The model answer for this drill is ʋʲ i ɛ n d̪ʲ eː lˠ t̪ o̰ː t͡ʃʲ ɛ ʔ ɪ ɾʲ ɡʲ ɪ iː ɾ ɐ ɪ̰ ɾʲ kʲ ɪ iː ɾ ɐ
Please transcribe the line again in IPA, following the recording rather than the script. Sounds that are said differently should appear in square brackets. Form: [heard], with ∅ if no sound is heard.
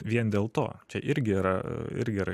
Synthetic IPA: ʋʲ i ɛ n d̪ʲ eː lˠ t̪ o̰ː t͡ʃʲ ɛ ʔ ɪ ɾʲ ɡʲ ɪ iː ɾ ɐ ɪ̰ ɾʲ [ɡʲ] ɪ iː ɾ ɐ